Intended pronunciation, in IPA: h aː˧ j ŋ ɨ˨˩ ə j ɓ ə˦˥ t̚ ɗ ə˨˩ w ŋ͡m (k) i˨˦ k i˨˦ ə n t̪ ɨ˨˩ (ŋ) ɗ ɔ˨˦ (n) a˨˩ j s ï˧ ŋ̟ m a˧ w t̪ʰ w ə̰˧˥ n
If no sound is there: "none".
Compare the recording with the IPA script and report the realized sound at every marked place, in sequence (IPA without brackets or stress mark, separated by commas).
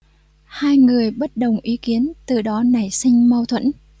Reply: ʔ, none, n